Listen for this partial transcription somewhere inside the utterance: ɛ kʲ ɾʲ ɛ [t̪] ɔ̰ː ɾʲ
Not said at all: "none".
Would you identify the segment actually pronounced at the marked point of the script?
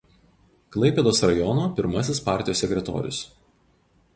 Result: t̪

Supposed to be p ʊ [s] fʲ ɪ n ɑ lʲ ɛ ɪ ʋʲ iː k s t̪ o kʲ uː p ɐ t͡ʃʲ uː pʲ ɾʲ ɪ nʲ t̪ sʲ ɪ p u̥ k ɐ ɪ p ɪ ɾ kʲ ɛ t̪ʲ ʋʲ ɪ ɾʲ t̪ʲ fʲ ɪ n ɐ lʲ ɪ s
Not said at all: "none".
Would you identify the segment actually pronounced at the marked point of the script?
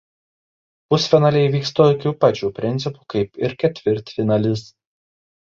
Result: s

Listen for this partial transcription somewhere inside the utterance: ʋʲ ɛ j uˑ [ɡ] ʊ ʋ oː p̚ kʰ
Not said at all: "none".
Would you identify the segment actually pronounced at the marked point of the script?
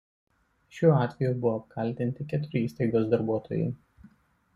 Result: b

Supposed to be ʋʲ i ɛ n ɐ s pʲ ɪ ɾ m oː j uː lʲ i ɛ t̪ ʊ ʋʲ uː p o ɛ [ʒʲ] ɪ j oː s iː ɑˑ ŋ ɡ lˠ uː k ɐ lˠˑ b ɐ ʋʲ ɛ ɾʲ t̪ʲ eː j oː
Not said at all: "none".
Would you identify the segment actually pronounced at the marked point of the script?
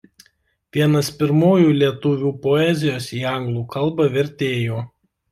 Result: zʲ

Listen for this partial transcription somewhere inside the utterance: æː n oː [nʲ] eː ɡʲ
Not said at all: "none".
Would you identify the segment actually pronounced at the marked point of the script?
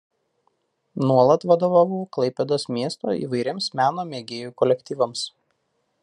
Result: mʲ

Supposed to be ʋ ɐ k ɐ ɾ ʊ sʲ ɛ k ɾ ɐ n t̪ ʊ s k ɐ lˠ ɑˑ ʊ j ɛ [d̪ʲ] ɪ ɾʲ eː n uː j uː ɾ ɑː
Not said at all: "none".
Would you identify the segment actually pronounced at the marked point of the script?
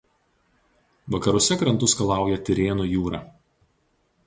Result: t̪ʲ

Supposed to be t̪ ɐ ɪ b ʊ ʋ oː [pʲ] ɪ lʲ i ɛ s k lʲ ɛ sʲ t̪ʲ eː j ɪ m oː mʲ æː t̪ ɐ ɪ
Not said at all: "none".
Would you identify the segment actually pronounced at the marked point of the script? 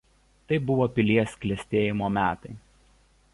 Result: pʲ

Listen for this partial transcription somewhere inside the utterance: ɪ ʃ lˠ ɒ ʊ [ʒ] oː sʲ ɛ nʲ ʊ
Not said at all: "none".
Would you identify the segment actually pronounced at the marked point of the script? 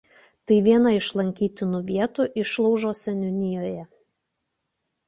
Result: ʒ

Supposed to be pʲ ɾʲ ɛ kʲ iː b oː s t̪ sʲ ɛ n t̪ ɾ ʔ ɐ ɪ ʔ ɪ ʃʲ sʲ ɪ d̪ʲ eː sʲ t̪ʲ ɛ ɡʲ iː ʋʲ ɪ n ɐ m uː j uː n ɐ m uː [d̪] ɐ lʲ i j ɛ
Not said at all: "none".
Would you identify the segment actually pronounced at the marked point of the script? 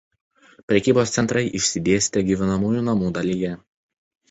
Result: d̪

